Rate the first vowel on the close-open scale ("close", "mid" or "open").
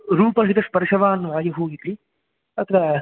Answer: close